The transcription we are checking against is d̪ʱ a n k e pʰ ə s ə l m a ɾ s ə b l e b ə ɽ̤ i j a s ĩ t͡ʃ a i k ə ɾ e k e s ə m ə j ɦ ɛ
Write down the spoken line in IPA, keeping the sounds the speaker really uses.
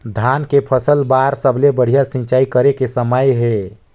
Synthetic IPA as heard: d̪ʱ a n k e pʰ ə s ə l b a ɾ s ə b l e b ə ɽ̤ i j a s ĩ t͡ʃ a i k ə ɾ e k e s ə m ə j ɦ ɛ